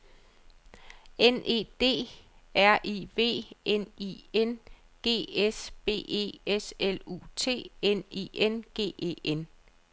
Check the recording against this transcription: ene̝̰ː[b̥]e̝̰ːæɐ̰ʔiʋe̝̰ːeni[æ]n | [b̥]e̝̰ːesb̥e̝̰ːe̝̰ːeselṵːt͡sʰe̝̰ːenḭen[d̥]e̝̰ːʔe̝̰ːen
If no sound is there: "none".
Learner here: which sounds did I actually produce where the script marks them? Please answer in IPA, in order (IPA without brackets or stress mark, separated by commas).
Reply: d̥, e, ɡ̥, ɡ̥